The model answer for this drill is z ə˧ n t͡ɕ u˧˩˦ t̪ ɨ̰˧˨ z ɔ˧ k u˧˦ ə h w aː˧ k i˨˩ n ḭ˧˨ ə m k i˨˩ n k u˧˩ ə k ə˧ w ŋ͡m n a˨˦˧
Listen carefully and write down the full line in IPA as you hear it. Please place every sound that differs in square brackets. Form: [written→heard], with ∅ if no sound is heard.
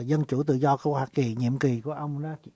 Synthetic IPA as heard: z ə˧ n t͡ɕ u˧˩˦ t̪ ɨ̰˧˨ z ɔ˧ k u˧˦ ə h w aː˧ k i˨˩ [n→ɲ] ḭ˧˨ ə m k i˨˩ [n→∅] k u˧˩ ə [k→ʔ] ə˧ w ŋ͡m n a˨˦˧

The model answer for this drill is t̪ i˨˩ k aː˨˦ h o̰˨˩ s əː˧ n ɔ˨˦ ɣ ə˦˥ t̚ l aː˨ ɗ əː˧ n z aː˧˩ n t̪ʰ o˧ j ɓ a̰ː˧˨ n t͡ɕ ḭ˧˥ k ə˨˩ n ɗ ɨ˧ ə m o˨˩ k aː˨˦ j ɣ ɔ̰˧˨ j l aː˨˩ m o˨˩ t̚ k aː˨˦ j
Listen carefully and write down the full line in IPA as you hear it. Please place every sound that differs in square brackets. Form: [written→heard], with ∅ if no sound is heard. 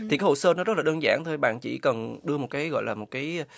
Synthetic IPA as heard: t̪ i˨˩ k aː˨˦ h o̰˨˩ s əː˧ n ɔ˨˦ [ɣ→z] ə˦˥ t̚ l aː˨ ɗ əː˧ n z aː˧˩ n t̪ʰ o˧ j ɓ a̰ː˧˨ n t͡ɕ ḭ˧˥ k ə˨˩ n ɗ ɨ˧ ə m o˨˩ k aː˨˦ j ɣ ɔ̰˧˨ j l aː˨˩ m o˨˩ t̚ k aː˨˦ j

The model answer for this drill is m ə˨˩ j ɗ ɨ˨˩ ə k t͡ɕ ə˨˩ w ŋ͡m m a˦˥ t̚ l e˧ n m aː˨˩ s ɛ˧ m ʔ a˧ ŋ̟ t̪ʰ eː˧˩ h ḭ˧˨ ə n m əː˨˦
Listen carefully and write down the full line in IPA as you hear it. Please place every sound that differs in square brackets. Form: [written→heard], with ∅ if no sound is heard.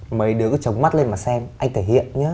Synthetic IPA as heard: m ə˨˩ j ɗ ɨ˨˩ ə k t͡ɕ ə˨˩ w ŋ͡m m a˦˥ t̚ l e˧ n m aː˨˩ s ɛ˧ m ʔ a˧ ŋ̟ t̪ʰ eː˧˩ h ḭ˧˨ ə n [m→ɲ] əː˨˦

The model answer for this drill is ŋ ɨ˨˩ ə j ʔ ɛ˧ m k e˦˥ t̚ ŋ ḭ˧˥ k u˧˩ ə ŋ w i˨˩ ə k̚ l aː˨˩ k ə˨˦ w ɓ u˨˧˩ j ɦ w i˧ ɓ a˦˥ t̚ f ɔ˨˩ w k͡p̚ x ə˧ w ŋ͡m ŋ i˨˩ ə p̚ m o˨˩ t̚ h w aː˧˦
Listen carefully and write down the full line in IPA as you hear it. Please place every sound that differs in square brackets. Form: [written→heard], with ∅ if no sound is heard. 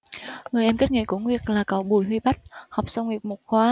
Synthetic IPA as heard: ŋ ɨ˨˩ ə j ʔ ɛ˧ m k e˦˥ t̚ ŋ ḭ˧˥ k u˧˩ ə ŋ w i˨˩ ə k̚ l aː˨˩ k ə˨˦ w ɓ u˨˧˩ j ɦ w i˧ ɓ a˦˥ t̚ [f→h] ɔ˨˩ w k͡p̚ [x→s] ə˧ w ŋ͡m ŋ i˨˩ ə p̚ m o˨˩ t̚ [h→x] w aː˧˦

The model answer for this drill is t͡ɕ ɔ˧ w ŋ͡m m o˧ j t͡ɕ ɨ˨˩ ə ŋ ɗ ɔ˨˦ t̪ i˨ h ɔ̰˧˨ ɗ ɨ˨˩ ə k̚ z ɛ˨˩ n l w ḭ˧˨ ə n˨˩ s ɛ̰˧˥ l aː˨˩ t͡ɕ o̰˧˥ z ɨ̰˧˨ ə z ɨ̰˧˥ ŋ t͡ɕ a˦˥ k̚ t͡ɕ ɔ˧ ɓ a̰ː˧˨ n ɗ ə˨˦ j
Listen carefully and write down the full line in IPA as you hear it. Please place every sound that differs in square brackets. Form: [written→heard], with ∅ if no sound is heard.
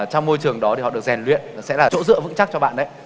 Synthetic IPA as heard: t͡ɕ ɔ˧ w ŋ͡m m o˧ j t͡ɕ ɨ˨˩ ə ŋ ɗ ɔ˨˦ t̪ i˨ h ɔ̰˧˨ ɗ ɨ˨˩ ə k̚ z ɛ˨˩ n l w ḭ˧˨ ə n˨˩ s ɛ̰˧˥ l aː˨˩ t͡ɕ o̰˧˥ z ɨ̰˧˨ ə [z→v] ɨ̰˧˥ ŋ t͡ɕ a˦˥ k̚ t͡ɕ ɔ˧ ɓ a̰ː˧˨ n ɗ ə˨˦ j

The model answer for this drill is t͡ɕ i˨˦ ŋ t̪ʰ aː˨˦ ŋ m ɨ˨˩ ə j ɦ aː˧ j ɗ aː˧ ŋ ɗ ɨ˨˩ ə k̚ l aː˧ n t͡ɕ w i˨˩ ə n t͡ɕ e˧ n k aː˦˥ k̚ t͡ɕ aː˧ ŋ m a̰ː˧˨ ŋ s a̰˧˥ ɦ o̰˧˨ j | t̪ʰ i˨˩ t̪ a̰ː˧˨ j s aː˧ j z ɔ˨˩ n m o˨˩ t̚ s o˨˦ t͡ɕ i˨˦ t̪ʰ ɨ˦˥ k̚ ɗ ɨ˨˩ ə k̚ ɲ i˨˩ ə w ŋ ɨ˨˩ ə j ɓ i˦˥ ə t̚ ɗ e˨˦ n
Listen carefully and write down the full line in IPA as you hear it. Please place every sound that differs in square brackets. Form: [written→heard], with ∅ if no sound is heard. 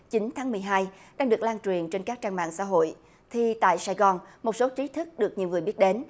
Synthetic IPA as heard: t͡ɕ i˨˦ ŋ t̪ʰ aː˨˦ ŋ m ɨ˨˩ ə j ɦ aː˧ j ɗ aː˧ ŋ ɗ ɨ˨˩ ə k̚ l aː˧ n t͡ɕ w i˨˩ ə n t͡ɕ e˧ n k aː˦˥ k̚ t͡ɕ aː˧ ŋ m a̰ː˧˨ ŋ s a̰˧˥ ɦ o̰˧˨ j | t̪ʰ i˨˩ t̪ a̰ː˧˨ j s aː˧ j [z→ɣ] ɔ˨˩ n m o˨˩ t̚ s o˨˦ t͡ɕ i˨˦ t̪ʰ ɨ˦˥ k̚ ɗ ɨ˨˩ ə k̚ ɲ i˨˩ ə w ŋ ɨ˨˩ ə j ɓ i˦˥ ə t̚ ɗ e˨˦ n

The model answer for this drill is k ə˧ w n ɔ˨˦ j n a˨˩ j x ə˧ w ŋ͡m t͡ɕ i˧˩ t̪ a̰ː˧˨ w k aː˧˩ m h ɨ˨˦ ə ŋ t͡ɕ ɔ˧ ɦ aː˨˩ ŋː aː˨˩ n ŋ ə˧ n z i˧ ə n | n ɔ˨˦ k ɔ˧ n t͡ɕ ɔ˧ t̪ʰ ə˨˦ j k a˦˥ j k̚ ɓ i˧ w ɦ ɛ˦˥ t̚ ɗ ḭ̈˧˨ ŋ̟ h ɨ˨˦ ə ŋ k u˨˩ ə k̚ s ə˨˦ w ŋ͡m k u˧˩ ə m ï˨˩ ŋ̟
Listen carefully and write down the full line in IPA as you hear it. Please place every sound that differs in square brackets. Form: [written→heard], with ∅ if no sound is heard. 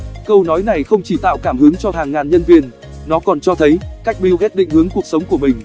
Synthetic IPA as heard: k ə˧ w n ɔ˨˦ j n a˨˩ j x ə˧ w ŋ͡m t͡ɕ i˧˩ t̪ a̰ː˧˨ w k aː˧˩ m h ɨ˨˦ ə ŋ t͡ɕ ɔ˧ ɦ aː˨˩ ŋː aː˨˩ n [ŋ→ɲ] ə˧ n [z→v] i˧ ə n | n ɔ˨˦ k [ɔ˧→ɔ˨˩] n t͡ɕ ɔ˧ t̪ʰ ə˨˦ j k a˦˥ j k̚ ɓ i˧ w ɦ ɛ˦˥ t̚ ɗ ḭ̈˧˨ ŋ̟ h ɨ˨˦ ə ŋ k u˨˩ ə k̚ s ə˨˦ w ŋ͡m k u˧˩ ə m ï˨˩ ŋ̟

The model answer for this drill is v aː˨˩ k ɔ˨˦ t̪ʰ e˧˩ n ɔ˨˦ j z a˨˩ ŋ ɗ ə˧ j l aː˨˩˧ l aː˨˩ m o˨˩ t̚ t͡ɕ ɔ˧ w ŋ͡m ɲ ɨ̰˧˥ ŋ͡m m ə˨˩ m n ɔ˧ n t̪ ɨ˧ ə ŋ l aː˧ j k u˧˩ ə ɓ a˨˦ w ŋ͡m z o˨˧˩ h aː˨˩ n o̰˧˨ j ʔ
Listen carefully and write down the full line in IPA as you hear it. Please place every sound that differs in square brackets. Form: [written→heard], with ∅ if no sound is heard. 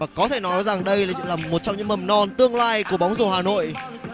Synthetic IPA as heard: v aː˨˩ k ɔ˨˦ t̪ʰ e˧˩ n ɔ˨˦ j z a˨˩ ŋ ɗ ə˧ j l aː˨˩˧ l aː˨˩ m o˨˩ t̚ t͡ɕ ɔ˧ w ŋ͡m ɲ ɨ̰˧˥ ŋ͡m m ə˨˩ m n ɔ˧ n t̪ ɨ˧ ə ŋ l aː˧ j k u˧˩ ə ɓ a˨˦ w ŋ͡m z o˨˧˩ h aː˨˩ n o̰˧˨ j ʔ

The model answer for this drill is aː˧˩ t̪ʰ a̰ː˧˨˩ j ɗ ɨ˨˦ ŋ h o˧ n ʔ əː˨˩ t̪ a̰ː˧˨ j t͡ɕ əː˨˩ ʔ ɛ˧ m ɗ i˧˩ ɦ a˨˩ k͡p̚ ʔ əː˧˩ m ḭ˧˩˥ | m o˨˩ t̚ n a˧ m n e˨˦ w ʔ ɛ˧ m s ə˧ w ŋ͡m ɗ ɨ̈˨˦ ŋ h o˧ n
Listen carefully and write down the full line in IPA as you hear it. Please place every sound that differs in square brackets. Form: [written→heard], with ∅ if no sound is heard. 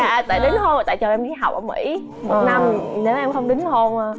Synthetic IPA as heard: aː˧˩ [t̪ʰ→t̪] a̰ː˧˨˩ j ɗ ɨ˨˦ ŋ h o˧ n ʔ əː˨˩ t̪ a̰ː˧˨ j t͡ɕ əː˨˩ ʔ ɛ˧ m ɗ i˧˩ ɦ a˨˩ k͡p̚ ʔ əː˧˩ m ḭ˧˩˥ | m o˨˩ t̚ n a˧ m n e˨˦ w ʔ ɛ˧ m [s→x] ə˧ w ŋ͡m ɗ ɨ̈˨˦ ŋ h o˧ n

